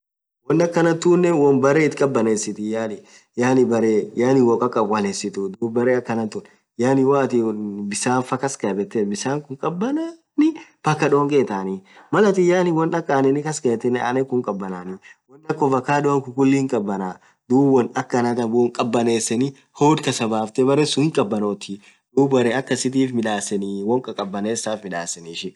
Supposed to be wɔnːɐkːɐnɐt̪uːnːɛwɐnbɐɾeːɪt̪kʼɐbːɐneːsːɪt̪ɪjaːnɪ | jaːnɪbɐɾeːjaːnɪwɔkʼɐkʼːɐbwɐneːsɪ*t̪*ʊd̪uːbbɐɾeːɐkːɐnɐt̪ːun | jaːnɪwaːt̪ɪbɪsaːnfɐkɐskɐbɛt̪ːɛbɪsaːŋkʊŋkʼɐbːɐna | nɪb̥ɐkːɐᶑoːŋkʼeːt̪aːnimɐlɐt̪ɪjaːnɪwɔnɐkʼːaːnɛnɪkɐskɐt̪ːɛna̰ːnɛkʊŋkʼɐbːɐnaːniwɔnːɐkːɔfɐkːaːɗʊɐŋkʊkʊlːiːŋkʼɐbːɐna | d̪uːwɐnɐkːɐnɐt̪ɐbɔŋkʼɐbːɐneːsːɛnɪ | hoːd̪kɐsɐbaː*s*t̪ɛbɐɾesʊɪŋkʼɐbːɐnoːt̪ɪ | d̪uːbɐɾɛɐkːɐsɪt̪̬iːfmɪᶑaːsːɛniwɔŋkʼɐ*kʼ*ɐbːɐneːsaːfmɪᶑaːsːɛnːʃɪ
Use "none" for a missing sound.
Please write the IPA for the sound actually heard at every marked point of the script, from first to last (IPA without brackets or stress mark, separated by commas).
t̪, f, kʼ